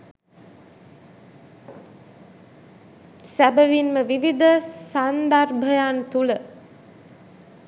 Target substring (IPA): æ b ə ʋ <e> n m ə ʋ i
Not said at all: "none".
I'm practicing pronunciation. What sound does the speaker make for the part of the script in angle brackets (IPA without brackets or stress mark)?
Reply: i